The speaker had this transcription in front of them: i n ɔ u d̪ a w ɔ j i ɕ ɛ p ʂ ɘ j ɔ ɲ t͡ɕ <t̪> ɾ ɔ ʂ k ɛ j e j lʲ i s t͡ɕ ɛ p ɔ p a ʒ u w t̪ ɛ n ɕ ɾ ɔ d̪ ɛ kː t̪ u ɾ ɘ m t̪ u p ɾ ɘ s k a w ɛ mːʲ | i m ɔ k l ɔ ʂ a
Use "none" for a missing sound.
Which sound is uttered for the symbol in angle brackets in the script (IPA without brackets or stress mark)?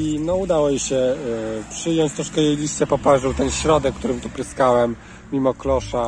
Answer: t̪